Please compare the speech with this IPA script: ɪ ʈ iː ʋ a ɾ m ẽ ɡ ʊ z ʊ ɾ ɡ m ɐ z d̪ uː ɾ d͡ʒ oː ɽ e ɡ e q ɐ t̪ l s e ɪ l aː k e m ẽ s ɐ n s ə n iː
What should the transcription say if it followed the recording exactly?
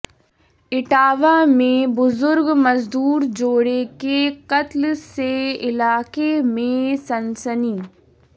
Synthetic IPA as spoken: ɪ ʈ aː ʋ a m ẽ b ʊ z ʊ ɾ ɡ m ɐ z d̪ uː ɾ d͡ʒ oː ɽ e k e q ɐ t̪ l s e ɪ l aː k e m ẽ s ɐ n s ə n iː